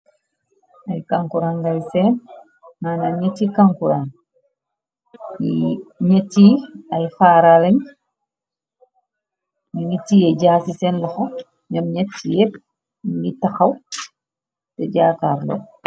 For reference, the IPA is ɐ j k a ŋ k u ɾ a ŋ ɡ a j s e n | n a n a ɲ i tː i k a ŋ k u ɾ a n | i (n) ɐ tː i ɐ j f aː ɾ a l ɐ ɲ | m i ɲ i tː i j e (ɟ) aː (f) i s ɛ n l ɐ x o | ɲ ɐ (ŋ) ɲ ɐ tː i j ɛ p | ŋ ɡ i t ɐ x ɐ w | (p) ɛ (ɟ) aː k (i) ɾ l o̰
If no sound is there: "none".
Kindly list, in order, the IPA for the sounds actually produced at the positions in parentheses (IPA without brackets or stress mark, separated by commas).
ɲ, ɟ, s, m, t, ɟ, a